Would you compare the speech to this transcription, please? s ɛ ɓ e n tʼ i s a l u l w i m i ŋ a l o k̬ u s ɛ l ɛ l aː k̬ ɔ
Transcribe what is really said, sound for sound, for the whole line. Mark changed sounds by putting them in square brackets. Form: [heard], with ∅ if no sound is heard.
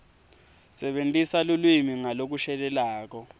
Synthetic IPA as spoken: s ɛ ɓ e n tʼ i s a l u l w i m i ŋ a l o k̬ u [ʃ] ɛ l ɛ l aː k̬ ɔ

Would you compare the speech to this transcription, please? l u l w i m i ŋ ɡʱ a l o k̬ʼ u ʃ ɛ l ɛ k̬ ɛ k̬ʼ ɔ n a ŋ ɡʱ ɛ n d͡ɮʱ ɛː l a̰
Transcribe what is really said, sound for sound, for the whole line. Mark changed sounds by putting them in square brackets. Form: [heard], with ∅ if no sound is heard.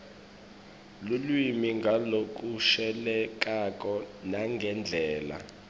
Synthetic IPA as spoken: l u l w i m i ŋ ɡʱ a l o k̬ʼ u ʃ ɛ l ɛ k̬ [a] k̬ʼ ɔ n a ŋ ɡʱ ɛ n d͡ɮʱ ɛː l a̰

